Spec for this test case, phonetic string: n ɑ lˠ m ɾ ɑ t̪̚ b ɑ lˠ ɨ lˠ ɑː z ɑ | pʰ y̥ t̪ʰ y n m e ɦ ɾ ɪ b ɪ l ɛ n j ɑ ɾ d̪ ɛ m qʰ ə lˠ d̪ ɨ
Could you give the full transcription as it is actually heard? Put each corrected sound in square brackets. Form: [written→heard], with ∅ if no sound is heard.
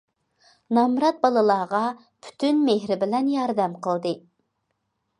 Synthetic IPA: n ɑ [lˠ→∅] m ɾ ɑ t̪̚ b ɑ lˠ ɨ lˠ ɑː [z→ʁ] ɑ | pʰ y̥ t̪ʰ y n m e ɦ ɾ ɪ b ɪ l ɛ n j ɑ ɾ d̪ ɛ m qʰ ə lˠ d̪ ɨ